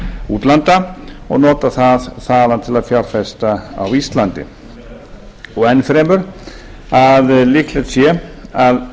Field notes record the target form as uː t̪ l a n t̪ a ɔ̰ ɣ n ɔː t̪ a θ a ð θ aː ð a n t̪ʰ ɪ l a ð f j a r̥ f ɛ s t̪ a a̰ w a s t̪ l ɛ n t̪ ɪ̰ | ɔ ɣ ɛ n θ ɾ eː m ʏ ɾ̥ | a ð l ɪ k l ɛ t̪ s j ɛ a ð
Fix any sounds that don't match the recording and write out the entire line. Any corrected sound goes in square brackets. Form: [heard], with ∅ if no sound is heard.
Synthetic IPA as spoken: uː t̪ l a n t̪ a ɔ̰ ɣ n ɔː t̪ a θ a ð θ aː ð a n t̪ʰ ɪ l a ð f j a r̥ f ɛ s t̪ a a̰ w [i] s t̪ l [a] n t̪ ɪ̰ | ɔ ɣ ɛ n [f] ɾ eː m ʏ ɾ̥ | a ð l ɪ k l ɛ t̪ s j ɛ a ð